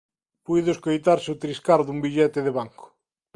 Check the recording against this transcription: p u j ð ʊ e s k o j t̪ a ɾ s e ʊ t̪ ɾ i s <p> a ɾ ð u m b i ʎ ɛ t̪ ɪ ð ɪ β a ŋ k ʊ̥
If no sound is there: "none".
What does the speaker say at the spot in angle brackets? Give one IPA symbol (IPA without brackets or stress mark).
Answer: k